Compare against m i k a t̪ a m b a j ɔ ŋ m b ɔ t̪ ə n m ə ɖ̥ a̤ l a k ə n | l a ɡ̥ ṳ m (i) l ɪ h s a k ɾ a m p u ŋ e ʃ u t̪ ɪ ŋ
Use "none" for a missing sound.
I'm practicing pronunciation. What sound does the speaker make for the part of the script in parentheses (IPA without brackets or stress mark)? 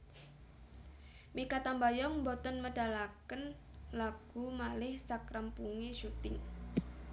a